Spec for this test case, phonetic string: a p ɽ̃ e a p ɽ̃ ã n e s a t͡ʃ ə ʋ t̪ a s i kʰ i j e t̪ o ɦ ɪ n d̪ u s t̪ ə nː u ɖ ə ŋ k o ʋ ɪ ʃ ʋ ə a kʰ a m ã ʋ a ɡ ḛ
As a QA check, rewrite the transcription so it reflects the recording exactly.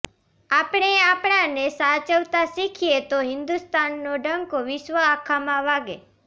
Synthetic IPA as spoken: a p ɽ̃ e a p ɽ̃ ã n e s a t͡ʃ ə ʋ t̪ a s i kʰ i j e t̪ o ɦ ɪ n d̪ u s t̪ a nː o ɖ ə ŋ k o ʋ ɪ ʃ ʋ ə a kʰ a m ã ʋ a ɡ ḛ